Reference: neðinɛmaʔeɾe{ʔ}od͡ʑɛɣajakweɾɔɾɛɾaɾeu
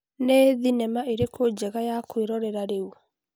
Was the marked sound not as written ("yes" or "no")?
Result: yes